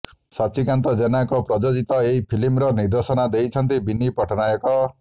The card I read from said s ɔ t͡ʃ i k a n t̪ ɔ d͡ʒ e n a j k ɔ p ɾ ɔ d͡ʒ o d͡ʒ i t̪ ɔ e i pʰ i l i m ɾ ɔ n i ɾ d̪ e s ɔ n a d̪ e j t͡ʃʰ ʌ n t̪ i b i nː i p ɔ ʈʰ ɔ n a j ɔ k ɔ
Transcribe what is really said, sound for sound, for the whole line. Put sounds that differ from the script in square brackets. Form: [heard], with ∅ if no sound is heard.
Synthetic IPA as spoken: s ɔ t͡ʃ i k a n t̪ ɔ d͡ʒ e n a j k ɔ p ɾ ɔ d͡ʒ o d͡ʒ i t̪ ɔ e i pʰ i l i m ɾ ɔ n i ɾ d̪ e s ɔ n a d̪ e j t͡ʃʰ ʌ n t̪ i b i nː i p ɔ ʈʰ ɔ n a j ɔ k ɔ